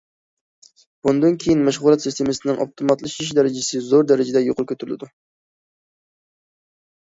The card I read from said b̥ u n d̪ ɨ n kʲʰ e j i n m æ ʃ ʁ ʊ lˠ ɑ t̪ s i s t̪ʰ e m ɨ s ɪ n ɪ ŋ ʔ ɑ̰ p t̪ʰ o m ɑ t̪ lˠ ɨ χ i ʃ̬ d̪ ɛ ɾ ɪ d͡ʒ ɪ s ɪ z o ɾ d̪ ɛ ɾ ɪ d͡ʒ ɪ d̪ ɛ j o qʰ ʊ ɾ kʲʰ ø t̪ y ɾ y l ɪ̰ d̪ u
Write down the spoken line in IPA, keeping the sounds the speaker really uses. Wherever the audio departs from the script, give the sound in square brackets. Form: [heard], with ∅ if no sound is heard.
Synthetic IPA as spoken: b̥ u n d̪ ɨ n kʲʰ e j i n m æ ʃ ʁ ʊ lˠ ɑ t̪ s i s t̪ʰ e m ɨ s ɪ n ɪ ŋ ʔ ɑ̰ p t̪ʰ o m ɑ t̪ lˠ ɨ [ʃ] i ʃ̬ d̪ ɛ ɾ ɪ d͡ʒ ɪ s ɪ z o ɾ d̪ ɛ ɾ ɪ d͡ʒ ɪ d̪ ɛ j o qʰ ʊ ɾ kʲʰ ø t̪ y ɾ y l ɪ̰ d̪ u